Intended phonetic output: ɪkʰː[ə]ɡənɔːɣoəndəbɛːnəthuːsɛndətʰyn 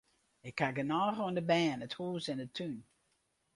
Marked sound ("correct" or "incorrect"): incorrect